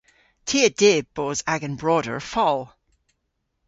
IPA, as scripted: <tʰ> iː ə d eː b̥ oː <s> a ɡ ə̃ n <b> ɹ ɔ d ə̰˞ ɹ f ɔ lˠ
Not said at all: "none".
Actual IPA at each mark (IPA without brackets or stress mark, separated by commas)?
tʰ, z, b